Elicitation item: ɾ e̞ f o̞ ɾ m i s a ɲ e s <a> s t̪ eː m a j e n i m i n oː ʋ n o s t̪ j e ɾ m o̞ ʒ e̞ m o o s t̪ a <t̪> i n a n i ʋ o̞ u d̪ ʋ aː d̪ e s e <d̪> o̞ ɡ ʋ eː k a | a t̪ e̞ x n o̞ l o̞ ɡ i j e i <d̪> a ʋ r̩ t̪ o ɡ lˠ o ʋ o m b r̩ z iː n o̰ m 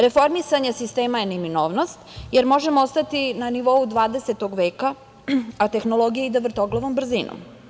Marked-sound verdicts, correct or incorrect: incorrect: i, correct, incorrect: t̪, correct

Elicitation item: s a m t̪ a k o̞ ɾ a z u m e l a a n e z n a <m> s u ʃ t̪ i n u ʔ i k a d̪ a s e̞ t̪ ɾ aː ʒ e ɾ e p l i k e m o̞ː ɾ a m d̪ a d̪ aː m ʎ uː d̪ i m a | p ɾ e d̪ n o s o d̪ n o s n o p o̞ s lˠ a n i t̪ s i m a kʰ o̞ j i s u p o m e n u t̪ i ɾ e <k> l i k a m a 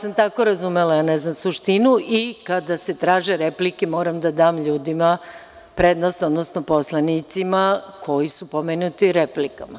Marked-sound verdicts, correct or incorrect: correct, incorrect: p

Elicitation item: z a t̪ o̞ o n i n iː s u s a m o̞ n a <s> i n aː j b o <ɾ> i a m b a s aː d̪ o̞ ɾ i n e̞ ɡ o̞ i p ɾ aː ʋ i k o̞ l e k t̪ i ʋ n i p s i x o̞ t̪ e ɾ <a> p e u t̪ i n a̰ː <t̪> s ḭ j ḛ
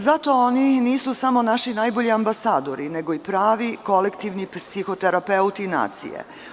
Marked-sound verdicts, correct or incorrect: incorrect: ʃ, incorrect: ʎ, correct, correct

